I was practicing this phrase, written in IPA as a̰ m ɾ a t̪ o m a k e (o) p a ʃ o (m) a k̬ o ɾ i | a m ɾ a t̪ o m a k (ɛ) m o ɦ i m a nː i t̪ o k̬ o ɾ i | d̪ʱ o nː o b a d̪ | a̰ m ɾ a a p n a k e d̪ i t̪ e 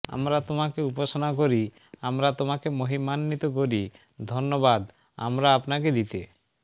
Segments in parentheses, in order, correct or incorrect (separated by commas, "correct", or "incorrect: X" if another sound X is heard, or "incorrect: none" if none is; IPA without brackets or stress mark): incorrect: u, incorrect: n, incorrect: e